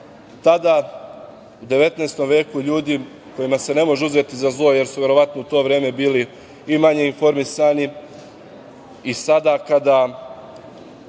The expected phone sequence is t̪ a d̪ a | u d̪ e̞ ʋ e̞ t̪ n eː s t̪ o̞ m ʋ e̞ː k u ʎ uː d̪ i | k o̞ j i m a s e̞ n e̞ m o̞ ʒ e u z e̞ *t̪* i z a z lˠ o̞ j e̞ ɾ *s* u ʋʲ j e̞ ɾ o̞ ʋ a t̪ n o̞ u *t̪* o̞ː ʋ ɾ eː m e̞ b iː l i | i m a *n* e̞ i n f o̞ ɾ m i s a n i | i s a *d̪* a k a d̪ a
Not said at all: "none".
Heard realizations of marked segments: t̪, s, t̪, ɲ, d̪

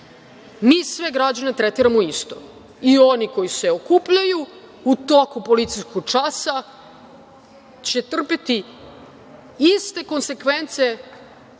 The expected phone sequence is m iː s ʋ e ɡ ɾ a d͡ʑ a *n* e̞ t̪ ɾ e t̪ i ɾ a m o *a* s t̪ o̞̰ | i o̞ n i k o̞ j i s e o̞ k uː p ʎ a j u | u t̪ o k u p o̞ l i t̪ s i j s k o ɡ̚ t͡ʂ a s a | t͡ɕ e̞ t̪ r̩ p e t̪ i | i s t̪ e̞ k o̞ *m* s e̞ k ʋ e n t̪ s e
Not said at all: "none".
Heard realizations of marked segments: n, i, n

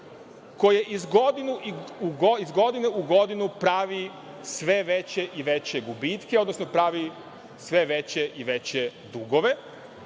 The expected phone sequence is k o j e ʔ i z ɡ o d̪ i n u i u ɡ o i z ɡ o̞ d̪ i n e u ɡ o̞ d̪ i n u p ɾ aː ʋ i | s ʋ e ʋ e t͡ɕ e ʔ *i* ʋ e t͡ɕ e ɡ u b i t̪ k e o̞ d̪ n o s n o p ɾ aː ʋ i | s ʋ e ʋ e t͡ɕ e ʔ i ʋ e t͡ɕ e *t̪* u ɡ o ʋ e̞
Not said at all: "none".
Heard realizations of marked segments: i, d̪

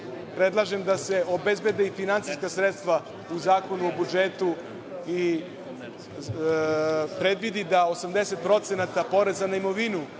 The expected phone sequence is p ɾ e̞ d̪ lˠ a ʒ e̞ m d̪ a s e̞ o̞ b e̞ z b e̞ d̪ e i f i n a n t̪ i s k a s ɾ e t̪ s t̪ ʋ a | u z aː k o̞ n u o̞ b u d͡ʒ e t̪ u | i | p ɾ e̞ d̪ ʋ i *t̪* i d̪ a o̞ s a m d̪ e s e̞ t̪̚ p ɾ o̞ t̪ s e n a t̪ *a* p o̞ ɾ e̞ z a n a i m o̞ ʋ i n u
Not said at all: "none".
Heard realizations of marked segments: d̪, a

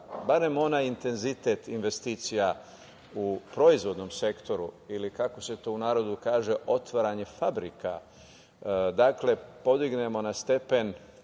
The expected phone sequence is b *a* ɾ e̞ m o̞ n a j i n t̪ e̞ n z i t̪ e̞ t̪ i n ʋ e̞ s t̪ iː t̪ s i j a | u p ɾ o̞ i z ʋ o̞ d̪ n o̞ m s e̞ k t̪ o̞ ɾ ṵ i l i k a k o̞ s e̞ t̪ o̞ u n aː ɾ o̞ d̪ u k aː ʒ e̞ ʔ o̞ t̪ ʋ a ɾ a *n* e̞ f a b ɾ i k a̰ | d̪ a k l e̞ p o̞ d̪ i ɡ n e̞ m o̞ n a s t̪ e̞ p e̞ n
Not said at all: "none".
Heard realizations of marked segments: a, ɲ

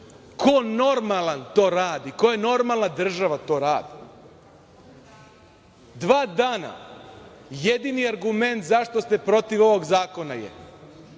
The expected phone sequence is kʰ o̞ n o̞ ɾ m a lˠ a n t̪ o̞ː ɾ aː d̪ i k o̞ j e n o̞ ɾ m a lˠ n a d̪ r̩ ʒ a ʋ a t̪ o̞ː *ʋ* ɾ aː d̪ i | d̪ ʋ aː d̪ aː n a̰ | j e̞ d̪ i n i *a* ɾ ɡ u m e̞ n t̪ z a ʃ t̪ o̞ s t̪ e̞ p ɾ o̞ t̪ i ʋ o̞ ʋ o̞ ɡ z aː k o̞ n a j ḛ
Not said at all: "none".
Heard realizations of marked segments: none, a

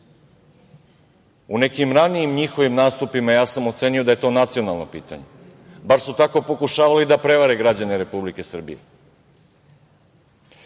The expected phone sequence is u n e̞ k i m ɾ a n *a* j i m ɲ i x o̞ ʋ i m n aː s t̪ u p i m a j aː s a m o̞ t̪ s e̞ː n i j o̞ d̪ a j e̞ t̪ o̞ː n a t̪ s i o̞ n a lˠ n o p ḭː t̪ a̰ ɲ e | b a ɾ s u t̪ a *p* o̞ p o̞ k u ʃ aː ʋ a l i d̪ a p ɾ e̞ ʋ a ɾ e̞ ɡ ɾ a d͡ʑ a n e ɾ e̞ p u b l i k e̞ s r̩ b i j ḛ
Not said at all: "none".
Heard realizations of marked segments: i, k

